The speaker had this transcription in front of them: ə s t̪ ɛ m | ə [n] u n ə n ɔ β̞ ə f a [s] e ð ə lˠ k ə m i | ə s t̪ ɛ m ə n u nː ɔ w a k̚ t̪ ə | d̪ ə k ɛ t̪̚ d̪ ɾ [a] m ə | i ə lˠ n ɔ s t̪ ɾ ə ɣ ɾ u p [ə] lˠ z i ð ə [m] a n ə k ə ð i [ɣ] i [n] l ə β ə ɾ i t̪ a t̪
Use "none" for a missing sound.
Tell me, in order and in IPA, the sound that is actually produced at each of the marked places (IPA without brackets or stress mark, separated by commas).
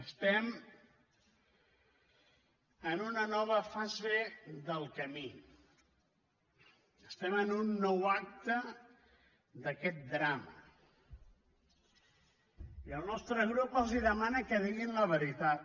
n, z, a, ə, m, ɣ, n